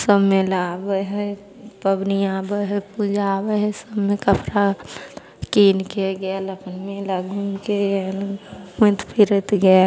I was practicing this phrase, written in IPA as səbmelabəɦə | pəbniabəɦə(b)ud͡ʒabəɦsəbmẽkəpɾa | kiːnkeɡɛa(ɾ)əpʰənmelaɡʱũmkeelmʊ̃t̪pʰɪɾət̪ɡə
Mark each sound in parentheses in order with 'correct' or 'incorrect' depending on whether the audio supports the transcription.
incorrect: p, incorrect: l

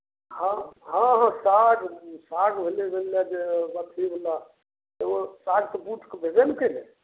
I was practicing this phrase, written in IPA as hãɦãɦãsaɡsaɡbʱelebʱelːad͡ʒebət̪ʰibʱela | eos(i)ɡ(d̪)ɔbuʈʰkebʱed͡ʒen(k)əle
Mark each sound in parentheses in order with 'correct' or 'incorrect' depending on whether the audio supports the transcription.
incorrect: a, incorrect: t̪, correct

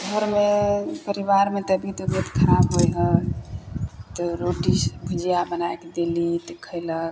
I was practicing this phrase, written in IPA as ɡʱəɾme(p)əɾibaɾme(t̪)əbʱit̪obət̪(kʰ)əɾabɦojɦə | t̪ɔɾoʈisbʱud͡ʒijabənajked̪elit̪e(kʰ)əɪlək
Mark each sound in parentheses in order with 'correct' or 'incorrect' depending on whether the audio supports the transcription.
correct, correct, correct, correct

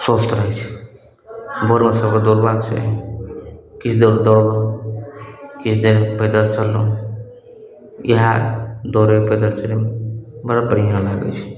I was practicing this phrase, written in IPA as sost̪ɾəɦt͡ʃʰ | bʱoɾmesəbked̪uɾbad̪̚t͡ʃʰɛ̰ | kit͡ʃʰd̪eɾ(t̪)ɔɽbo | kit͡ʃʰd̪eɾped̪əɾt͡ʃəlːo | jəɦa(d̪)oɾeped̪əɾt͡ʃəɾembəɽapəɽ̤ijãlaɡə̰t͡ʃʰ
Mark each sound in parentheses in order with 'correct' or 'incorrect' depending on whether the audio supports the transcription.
incorrect: d̪, correct

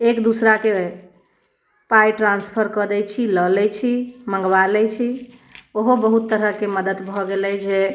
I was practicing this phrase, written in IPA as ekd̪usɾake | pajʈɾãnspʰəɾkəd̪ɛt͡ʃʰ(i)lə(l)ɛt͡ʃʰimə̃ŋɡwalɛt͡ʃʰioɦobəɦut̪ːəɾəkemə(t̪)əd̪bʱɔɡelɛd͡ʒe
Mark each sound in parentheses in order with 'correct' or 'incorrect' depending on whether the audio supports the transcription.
correct, correct, incorrect: d̪

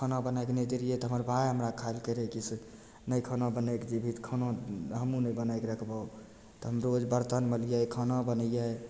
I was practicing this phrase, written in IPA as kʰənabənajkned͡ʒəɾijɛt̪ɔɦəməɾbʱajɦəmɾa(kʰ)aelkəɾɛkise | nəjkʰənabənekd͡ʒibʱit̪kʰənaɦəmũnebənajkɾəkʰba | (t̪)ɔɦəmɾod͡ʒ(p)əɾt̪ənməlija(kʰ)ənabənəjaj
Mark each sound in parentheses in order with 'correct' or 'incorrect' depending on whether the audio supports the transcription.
correct, correct, incorrect: b, correct

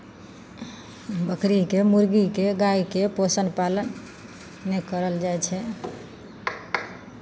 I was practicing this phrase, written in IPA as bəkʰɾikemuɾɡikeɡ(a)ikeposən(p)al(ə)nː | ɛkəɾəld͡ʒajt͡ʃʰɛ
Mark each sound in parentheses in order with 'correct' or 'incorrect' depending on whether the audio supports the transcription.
correct, correct, correct

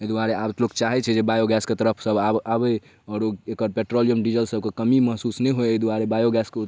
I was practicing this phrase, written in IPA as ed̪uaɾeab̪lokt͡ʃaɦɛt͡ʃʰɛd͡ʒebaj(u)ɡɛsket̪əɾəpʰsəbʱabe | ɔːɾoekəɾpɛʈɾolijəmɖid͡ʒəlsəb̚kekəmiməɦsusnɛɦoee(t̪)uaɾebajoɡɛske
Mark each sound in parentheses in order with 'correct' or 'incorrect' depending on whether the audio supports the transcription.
incorrect: o, incorrect: d̪

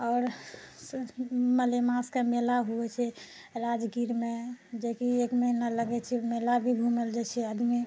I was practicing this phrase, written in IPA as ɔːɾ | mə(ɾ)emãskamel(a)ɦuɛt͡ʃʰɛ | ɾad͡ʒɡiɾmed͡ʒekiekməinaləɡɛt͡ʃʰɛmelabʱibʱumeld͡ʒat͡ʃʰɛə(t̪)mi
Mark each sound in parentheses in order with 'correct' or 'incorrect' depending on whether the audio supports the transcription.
incorrect: l, correct, incorrect: d̪

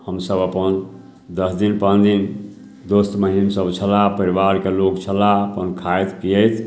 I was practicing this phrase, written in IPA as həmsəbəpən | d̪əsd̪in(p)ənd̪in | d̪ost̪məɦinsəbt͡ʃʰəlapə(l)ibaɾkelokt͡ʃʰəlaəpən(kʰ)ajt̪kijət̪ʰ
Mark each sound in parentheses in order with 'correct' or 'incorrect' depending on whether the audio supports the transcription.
correct, incorrect: ɾ, correct

